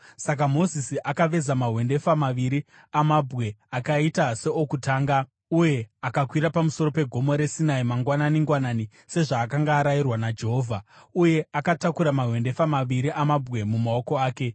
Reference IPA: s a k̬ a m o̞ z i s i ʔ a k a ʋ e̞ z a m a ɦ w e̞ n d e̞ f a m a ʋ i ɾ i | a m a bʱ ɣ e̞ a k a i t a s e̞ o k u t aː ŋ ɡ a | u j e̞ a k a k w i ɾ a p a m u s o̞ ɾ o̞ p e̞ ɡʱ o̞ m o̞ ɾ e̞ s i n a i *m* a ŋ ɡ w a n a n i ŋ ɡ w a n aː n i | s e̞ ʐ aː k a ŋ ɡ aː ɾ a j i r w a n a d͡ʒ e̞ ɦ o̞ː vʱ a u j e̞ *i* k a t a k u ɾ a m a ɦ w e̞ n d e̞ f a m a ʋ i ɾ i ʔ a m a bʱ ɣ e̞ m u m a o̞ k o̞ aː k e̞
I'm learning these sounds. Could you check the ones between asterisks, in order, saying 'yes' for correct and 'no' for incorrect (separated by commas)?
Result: yes, no